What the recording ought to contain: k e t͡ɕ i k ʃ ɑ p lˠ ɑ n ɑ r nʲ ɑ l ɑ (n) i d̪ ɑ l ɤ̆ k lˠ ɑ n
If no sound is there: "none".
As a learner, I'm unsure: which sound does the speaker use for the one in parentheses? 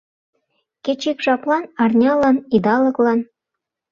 n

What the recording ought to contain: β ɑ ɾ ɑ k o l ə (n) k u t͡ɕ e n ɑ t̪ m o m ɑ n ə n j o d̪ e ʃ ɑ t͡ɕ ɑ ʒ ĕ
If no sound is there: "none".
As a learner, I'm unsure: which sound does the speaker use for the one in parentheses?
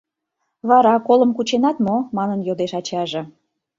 m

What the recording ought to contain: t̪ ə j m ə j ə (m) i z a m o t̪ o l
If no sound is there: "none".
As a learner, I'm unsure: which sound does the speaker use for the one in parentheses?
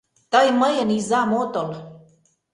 n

